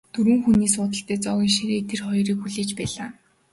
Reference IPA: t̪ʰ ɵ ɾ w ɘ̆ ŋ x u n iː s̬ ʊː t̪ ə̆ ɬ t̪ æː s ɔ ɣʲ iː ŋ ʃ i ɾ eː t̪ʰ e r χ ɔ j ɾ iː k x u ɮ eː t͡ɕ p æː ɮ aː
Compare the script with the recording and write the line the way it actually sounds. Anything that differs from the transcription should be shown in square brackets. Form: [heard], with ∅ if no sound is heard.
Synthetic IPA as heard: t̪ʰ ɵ ɾ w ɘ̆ ŋ x u n iː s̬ ʊː t̪ ə̆ ɬ t̪ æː [t͡s] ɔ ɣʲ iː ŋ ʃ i ɾ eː t̪ʰ e r χ ɔ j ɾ iː k x u ɮ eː t͡ɕ p æː ɮ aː